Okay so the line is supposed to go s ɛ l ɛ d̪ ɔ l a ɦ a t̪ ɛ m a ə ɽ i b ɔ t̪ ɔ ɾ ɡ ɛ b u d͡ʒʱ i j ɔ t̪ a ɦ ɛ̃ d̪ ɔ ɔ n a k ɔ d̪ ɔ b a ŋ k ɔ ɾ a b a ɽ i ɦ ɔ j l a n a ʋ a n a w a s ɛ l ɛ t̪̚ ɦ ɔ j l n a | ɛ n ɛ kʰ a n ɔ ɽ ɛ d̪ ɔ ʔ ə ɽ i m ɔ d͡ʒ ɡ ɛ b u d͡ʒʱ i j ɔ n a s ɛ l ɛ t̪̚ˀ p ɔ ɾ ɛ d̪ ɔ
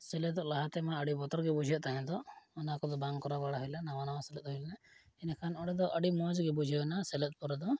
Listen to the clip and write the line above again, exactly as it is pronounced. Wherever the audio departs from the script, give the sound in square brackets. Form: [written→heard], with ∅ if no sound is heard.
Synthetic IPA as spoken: s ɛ l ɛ d̪ ɔ l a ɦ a t̪ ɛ m a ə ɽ i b ɔ t̪ ɔ ɾ ɡ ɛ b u d͡ʒʱ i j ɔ t̪ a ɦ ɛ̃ d̪ ɔ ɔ n a k ɔ d̪ ɔ b a ŋ k ɔ ɾ a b a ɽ [i→a] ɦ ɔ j l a n a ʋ a n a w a s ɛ l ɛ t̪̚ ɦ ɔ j l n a | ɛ n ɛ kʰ a n ɔ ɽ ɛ d̪ ɔ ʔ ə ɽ i m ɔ d͡ʒ ɡ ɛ b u d͡ʒʱ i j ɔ n a s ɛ l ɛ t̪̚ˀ p ɔ ɾ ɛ d̪ ɔ